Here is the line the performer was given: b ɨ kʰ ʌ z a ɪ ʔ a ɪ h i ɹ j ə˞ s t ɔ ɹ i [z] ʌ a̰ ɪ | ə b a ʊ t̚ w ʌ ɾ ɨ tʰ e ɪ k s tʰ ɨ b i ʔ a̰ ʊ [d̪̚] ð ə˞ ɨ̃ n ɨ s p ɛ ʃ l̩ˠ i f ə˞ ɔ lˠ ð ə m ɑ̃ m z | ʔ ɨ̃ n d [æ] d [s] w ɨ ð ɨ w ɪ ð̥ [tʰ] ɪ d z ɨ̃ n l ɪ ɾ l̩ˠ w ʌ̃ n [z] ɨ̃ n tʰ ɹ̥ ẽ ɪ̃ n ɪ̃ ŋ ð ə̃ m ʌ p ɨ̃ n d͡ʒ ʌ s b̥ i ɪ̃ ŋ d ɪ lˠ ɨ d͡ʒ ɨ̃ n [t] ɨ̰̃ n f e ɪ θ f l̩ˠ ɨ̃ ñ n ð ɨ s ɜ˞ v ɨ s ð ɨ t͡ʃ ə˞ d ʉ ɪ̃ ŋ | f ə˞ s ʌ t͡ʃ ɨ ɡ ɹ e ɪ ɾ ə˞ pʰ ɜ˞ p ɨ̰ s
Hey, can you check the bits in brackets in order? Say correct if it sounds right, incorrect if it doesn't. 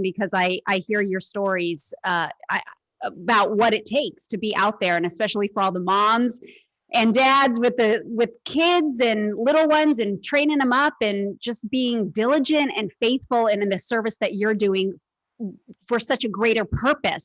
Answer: correct, incorrect: t̪̚, correct, incorrect: z, incorrect: kʰ, correct, correct

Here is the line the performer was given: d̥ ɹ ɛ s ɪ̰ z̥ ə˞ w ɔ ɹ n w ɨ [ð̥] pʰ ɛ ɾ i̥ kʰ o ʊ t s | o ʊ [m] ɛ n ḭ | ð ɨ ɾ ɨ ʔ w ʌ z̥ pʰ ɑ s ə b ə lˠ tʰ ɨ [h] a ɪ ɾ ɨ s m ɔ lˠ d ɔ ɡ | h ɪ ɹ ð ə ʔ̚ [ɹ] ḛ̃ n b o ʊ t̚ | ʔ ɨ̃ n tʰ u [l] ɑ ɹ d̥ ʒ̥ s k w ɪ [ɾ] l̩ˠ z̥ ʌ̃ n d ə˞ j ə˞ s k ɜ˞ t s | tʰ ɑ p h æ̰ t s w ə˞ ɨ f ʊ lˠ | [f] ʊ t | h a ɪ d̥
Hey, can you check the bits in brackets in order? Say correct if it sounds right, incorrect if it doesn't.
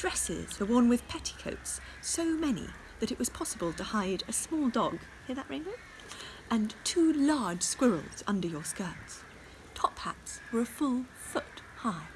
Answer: correct, correct, correct, correct, correct, incorrect: ɹ, correct

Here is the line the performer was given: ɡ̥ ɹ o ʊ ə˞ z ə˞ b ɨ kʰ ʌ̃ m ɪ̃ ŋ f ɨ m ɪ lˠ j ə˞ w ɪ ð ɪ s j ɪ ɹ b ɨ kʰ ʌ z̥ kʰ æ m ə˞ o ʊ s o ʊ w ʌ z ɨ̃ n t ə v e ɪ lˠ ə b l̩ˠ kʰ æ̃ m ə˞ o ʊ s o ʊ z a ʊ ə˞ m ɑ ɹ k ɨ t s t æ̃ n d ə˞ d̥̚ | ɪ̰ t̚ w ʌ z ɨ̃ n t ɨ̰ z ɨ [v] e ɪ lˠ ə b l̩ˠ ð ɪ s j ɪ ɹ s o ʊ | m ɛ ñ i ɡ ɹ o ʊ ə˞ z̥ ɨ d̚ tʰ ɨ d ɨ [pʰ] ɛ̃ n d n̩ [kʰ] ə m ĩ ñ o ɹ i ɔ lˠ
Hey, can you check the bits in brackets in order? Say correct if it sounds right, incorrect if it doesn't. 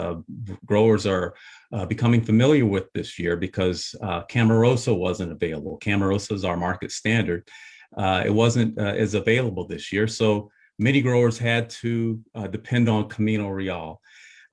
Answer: correct, correct, correct

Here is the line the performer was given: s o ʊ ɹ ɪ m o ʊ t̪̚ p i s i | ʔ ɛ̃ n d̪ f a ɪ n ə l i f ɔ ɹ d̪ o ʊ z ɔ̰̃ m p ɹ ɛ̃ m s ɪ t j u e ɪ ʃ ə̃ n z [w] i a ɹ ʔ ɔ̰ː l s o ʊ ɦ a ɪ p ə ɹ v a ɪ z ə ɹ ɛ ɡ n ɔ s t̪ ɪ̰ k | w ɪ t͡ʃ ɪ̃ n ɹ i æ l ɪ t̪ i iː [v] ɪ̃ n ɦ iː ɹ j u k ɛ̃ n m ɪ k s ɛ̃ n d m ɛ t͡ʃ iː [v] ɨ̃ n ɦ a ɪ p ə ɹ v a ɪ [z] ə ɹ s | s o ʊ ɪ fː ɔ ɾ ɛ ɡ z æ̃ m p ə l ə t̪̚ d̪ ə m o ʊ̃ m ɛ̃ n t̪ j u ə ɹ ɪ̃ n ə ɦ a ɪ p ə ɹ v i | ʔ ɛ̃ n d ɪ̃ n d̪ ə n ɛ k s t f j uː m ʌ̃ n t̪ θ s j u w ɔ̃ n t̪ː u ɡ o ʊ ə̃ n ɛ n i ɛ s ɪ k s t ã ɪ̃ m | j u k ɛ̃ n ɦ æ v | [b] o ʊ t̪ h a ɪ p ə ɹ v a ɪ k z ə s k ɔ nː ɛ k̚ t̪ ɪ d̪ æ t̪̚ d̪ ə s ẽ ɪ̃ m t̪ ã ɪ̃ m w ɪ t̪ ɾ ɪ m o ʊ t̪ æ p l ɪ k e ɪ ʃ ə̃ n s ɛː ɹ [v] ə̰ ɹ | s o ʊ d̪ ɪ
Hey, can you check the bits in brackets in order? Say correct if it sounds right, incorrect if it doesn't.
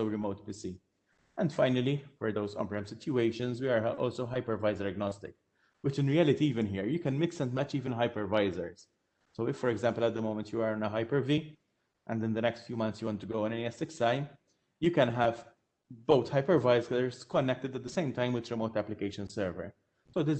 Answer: correct, correct, correct, correct, correct, correct

